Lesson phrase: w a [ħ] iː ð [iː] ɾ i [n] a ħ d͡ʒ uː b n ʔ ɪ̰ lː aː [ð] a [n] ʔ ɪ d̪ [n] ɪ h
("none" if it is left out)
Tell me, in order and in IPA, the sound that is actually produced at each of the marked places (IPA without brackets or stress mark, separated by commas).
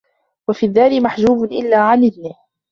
f, aː, m, ʕ, n, n